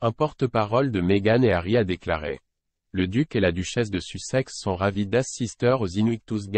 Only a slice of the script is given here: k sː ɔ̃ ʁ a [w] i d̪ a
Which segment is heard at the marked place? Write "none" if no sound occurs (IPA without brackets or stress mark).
v